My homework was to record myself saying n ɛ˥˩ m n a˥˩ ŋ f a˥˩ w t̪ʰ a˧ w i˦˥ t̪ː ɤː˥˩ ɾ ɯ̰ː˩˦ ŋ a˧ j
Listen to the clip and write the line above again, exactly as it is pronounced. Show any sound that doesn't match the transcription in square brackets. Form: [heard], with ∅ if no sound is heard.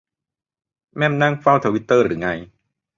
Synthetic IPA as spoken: [m] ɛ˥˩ m n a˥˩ ŋ f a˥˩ w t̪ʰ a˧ w i˦˥ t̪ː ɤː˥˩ ɾ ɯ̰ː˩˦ ŋ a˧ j